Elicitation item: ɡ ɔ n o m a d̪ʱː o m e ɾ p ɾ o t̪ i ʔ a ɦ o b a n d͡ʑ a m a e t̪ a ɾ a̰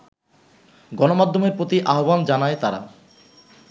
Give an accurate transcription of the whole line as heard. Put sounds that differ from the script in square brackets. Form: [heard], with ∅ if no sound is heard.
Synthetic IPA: ɡ ɔ n o m a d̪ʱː o m e ɾ p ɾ o t̪ i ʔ a ɦ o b a n d͡ʑ a [n] a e t̪ a ɾ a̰